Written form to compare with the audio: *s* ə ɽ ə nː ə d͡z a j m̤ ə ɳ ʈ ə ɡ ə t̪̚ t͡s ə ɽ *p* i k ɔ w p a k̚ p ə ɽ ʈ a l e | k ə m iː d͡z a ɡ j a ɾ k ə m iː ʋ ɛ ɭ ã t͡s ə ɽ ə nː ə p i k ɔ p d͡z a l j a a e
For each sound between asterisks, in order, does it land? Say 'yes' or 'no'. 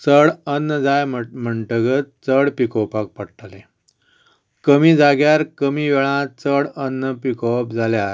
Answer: no, yes

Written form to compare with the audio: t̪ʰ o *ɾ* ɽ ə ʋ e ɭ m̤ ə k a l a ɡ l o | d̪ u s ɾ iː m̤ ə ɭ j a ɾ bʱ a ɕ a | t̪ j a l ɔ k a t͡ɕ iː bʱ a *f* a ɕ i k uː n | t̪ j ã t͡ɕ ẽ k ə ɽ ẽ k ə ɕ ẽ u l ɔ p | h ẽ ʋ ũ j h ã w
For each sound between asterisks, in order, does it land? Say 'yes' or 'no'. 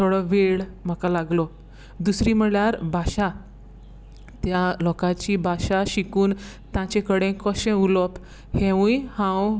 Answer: no, no

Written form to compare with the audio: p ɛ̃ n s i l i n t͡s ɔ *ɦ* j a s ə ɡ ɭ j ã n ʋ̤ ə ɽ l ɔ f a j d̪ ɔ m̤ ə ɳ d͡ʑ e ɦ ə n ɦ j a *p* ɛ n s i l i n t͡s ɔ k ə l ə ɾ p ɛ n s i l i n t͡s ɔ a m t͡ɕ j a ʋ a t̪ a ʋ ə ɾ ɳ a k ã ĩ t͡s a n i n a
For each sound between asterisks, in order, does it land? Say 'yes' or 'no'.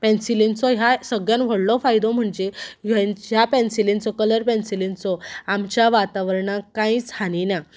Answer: yes, yes

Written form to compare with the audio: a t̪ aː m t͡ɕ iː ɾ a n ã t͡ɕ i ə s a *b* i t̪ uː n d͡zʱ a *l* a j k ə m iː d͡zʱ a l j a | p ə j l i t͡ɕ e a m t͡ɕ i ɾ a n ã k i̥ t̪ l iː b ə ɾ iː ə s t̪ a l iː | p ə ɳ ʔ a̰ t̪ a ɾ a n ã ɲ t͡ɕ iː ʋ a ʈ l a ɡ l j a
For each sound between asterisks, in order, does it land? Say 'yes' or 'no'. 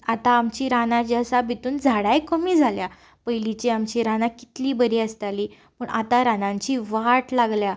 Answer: yes, no

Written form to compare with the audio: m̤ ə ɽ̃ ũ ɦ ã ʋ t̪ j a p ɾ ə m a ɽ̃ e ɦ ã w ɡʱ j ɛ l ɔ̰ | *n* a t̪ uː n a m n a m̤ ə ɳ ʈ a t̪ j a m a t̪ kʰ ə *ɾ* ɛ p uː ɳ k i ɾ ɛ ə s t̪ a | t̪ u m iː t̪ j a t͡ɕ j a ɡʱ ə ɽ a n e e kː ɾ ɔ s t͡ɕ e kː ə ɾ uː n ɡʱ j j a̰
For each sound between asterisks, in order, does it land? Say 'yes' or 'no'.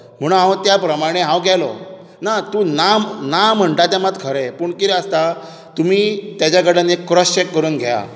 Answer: yes, yes

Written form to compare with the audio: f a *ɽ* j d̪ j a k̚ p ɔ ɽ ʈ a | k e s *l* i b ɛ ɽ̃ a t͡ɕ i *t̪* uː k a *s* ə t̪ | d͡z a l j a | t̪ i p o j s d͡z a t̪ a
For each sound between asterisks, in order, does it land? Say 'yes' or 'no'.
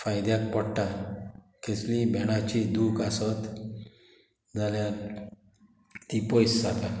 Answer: no, yes, no, yes

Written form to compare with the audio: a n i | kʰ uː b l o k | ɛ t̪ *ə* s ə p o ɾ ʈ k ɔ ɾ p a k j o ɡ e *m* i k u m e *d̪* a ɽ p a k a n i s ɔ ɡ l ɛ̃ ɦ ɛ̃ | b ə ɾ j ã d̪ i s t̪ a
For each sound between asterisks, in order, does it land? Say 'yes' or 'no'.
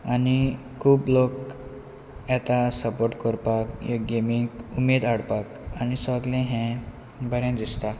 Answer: no, yes, yes

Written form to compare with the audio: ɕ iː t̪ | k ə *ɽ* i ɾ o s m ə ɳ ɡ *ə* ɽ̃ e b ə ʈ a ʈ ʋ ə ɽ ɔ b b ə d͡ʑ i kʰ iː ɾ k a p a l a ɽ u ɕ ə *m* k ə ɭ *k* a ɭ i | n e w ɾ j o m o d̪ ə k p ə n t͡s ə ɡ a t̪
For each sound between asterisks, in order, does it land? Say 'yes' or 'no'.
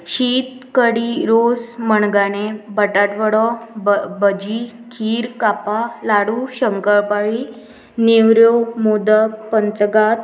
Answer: yes, no, no, no

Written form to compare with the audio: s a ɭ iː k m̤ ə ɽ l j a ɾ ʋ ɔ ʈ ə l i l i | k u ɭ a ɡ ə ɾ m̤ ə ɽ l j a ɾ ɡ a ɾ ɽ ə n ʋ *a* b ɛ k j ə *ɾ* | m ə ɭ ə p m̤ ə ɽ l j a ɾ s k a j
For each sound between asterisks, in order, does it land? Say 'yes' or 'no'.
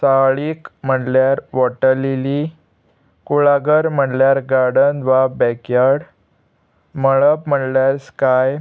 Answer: yes, no

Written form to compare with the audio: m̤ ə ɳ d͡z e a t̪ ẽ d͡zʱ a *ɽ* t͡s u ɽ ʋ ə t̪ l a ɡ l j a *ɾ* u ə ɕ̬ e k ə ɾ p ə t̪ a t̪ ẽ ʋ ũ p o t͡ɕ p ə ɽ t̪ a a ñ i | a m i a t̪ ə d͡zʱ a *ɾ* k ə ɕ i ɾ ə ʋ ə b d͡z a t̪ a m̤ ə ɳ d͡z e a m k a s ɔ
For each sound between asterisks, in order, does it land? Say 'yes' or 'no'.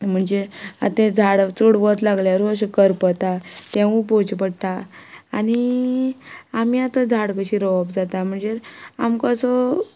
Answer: yes, yes, no

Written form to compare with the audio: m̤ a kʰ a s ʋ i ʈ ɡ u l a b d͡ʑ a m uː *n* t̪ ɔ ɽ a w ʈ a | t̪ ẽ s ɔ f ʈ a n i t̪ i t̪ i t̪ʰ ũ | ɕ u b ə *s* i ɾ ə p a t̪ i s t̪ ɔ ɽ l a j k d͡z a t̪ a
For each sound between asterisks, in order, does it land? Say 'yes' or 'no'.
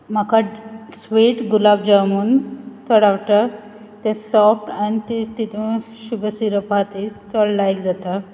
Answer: yes, yes

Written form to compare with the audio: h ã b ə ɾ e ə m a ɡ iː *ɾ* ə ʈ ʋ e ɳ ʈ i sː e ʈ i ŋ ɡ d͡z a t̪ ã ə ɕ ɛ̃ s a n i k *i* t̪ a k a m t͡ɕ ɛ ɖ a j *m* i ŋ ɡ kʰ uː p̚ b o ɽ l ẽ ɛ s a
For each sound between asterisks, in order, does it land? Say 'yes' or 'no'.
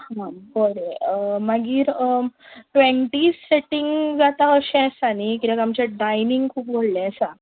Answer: yes, yes, no

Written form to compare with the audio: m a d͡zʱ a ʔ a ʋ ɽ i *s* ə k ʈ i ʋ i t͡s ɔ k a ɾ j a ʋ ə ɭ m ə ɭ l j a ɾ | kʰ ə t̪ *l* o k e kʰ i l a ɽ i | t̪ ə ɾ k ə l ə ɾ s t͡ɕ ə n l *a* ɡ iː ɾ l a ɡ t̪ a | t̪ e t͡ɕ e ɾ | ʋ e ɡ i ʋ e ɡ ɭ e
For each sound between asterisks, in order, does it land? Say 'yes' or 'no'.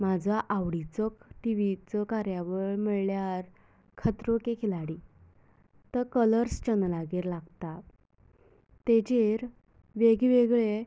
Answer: no, no, yes

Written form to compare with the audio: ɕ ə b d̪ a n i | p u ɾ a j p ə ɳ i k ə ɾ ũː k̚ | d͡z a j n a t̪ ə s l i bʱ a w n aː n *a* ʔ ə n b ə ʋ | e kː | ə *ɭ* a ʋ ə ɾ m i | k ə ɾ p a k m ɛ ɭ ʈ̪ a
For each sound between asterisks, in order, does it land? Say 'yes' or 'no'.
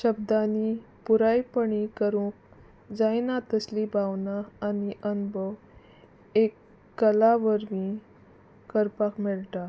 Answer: no, no

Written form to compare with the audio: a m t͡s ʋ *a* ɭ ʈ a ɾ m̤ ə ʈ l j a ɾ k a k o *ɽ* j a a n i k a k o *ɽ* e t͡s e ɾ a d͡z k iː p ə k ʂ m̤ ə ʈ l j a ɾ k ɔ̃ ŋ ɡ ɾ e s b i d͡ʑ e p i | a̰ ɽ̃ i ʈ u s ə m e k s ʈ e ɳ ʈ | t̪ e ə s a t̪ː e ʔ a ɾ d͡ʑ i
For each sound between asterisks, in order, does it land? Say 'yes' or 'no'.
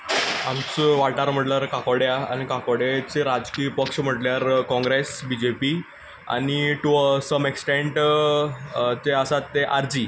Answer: yes, yes, yes

